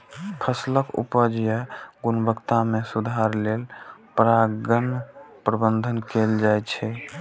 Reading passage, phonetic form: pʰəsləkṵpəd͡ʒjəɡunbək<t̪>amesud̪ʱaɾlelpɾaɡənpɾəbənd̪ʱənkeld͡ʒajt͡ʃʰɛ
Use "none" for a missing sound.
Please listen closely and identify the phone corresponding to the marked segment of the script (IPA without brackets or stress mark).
t̪